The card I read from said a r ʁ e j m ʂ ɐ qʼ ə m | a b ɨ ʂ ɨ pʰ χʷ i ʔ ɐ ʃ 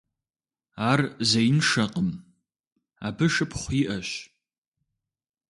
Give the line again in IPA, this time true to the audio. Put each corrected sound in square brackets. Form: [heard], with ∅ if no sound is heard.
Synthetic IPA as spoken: a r [z] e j [n] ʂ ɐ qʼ ə m | a b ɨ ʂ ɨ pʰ χʷ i ʔ ɐ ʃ